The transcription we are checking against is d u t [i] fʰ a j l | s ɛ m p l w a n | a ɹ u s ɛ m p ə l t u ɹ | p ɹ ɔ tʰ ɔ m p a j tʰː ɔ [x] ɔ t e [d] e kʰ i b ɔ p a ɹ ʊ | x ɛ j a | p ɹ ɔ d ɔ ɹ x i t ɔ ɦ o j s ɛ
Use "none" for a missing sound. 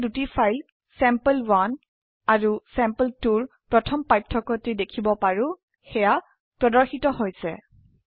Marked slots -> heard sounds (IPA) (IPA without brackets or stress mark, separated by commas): i, k, d